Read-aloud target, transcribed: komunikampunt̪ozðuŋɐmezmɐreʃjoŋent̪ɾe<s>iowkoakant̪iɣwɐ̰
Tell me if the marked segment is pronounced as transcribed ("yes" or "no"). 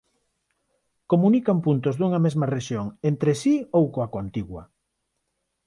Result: yes